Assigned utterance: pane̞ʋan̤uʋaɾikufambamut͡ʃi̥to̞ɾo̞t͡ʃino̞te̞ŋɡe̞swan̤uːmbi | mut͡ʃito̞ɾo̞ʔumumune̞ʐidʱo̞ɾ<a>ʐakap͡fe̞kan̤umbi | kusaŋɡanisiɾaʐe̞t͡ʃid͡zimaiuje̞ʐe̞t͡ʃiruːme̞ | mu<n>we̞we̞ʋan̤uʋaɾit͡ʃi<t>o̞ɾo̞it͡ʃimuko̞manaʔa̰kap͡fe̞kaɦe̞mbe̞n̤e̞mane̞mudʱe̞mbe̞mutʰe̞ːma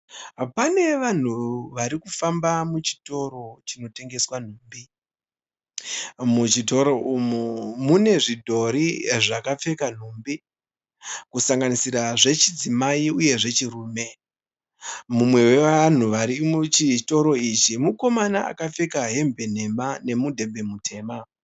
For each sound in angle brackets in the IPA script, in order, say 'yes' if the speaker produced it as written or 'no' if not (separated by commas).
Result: no, no, yes